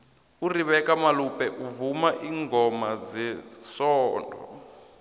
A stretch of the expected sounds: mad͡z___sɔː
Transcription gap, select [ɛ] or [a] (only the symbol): ɛ